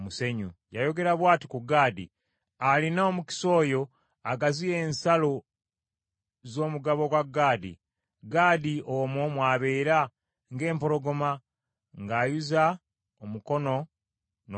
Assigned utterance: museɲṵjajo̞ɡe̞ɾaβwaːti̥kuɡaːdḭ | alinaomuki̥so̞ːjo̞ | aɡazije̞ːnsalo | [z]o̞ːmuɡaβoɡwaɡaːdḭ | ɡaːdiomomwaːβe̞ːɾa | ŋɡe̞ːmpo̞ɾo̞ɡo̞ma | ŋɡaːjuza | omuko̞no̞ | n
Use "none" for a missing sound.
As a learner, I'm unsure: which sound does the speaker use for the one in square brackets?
z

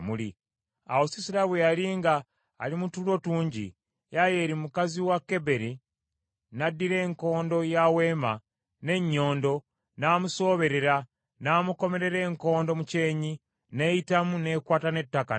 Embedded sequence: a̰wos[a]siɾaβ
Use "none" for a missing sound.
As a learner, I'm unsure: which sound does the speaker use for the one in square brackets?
i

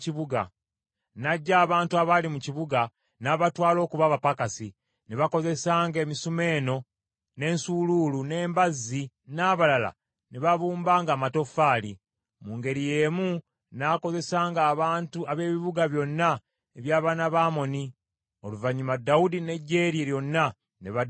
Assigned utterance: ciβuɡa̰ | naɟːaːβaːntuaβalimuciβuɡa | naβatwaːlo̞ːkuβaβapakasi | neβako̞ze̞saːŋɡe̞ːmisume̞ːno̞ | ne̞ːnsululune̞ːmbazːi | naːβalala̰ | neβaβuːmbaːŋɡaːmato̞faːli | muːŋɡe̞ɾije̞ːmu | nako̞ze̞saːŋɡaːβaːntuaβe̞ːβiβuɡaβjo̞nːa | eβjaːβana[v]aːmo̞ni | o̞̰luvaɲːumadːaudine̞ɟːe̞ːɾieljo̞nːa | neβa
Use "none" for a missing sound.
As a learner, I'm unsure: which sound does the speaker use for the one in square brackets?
β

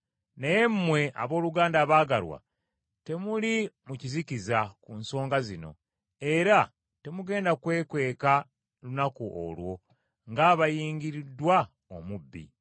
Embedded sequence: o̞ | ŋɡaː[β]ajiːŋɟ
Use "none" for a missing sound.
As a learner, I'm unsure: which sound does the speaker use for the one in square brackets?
β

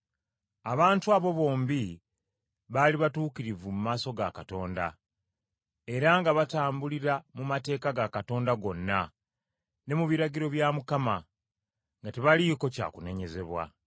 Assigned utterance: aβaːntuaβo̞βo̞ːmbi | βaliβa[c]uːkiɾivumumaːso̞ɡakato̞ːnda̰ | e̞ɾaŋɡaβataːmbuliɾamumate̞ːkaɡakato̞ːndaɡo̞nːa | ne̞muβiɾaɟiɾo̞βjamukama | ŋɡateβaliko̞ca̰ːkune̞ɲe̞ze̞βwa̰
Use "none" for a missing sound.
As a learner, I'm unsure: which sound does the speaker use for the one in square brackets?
t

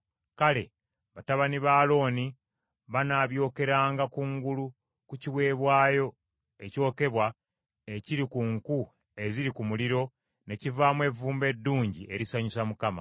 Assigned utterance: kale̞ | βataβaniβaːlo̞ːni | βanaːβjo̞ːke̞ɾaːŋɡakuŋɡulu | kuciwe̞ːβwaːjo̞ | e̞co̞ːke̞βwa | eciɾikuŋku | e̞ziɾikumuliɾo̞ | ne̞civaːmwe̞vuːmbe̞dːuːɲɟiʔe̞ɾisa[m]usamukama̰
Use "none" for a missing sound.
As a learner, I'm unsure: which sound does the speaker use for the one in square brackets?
ɲ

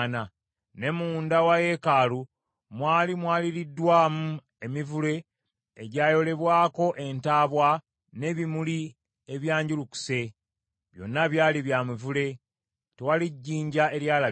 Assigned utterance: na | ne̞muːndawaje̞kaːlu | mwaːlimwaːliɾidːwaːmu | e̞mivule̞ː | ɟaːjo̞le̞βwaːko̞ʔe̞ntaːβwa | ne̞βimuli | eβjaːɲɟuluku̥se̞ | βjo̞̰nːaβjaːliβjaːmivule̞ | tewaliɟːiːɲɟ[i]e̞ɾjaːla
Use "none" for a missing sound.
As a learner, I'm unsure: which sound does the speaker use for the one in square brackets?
a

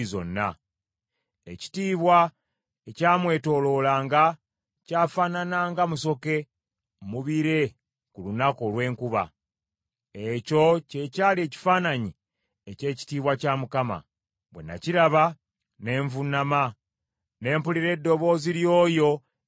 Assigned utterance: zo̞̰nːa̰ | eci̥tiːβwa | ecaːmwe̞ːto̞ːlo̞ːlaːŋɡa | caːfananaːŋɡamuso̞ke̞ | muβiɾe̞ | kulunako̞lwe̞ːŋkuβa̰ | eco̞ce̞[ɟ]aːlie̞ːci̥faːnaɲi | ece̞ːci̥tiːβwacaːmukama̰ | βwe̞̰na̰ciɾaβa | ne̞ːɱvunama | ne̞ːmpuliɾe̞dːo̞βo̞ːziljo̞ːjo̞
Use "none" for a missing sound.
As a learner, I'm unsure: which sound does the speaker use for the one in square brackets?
c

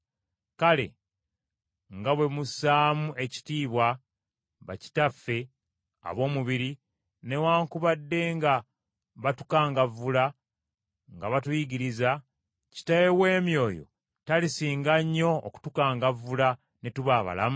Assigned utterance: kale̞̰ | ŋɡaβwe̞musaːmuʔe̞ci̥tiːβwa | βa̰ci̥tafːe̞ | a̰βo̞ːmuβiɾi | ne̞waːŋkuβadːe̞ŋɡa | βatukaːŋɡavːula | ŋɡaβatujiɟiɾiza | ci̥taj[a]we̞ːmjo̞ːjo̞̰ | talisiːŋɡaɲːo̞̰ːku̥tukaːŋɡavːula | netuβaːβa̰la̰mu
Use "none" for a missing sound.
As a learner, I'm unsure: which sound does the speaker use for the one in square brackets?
e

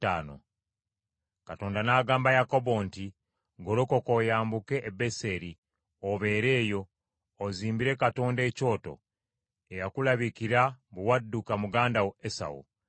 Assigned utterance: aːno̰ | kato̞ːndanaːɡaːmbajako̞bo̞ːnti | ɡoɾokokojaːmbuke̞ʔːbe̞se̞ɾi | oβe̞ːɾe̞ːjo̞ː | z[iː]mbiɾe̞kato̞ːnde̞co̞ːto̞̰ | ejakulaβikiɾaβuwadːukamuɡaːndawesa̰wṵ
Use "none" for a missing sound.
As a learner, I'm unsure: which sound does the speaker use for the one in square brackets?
iː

